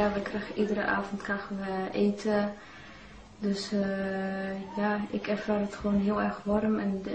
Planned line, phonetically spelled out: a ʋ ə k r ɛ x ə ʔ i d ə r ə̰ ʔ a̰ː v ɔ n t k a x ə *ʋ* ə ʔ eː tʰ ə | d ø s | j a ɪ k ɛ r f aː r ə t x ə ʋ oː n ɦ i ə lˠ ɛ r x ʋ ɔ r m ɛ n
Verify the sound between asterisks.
correct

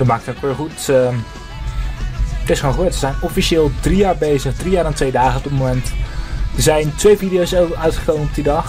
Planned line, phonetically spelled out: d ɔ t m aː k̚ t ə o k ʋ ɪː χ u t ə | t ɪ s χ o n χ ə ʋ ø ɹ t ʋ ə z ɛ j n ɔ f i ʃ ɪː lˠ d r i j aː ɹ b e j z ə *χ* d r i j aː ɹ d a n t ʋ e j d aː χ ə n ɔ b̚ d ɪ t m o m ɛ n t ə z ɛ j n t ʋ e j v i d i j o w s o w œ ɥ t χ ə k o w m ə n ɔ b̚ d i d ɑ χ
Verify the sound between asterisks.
correct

